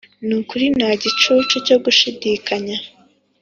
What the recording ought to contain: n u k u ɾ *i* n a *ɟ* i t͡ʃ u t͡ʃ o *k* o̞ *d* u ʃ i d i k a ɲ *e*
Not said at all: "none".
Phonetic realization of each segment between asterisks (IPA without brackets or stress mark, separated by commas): i, ɟ, c, ɡ, a